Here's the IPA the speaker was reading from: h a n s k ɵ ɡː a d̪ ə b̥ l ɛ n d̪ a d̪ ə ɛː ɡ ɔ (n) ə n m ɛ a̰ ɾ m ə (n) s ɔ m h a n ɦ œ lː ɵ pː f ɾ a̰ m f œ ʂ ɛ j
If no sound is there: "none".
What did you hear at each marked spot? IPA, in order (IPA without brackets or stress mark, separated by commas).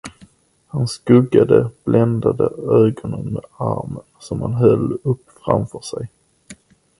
n, n